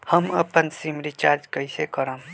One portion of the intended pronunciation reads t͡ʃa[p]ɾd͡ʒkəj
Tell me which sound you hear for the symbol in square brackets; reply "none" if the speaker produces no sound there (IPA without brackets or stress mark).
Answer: none